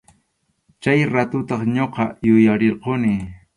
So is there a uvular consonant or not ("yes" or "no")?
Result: yes